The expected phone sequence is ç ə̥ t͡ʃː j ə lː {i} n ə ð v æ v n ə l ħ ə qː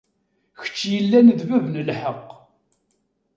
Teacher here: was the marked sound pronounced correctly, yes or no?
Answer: no